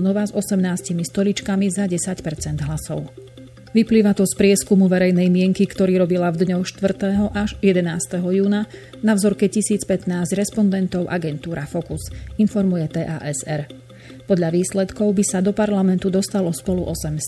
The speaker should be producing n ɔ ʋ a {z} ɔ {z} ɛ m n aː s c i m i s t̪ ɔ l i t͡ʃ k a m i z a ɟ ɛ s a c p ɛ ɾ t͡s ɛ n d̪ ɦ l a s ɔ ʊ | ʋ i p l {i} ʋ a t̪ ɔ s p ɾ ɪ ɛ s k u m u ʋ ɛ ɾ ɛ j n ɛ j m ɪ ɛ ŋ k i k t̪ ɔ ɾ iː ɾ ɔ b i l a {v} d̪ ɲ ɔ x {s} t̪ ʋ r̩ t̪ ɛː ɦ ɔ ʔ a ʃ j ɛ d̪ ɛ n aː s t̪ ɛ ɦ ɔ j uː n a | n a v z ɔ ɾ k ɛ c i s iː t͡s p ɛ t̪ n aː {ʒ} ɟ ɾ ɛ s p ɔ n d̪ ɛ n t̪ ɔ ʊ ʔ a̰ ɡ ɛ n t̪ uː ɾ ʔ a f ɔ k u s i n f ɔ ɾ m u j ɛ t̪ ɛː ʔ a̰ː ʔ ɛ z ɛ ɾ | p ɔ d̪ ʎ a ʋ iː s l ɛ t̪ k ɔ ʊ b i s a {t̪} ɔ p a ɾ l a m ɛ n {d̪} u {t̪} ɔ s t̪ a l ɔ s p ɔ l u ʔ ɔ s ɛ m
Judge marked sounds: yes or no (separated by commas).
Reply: yes, no, no, yes, no, no, no, no, no